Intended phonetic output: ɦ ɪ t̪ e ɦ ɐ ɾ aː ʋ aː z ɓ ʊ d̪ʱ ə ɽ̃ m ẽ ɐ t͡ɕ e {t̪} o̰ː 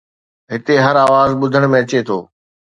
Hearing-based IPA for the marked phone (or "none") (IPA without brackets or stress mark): t̪ʰ